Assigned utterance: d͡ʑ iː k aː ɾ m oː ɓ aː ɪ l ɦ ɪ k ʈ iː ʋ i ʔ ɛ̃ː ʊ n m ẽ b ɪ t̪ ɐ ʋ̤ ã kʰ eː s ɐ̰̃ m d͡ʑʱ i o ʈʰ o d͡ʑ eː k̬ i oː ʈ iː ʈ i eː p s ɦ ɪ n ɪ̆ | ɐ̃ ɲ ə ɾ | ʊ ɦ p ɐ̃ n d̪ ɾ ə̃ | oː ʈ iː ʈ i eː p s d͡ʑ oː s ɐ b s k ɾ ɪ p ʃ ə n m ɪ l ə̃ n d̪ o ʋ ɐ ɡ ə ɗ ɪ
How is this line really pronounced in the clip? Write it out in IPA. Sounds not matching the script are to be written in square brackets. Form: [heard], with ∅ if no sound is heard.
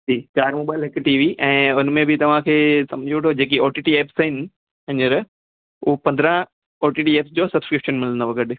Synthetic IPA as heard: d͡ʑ iː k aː ɾ m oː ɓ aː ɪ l ɦ ɪ k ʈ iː ʋ i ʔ ɛ̃ː ʊ n m ẽ b ɪ t̪ ɐ ʋ̤ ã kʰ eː s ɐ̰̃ m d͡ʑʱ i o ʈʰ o d͡ʑ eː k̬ i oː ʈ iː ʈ i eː p s ɦ ɪ n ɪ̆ | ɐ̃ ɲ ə ɾ | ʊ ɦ p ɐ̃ n d̪ ɾ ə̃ | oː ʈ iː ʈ i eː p s d͡ʑ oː s ɐ b s k ɾ ɪ p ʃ ə n m ɪ l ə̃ n d̪ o ʋ ɐ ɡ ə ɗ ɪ